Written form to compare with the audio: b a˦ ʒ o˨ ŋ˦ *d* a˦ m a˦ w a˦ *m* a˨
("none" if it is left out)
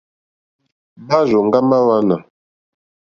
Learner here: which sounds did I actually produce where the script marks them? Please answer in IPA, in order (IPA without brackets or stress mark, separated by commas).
ɡ, n